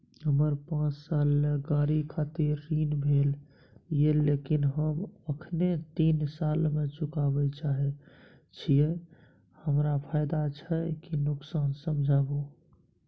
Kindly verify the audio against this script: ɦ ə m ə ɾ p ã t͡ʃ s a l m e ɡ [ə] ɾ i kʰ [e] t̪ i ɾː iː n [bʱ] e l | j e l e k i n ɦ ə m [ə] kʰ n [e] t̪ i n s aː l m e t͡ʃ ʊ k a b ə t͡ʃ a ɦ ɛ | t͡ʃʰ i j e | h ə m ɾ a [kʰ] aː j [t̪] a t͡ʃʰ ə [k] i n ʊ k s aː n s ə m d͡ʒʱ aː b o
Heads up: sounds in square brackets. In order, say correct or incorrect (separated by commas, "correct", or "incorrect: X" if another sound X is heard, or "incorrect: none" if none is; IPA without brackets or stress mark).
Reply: incorrect: a, incorrect: a, correct, correct, correct, incorrect: pʰ, incorrect: d̪, correct